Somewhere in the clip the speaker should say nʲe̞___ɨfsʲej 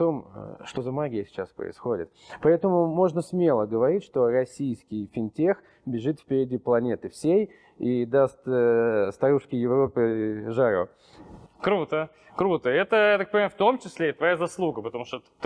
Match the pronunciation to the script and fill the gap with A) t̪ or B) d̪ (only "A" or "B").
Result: A